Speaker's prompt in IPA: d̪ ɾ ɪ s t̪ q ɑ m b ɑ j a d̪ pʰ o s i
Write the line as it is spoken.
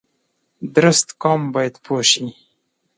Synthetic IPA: d̪ ɾ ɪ s t̪ k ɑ m b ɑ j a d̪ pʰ o ʃ i